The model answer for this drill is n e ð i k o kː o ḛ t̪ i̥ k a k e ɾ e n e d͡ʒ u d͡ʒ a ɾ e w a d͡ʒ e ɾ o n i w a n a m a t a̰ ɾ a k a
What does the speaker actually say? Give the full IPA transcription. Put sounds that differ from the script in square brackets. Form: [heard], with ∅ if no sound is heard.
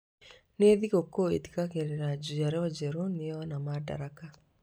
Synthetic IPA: n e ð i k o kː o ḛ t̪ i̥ k a k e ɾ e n [a] d͡ʒ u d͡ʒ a ɾ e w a d͡ʒ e ɾ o n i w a n a m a [d] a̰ ɾ a k a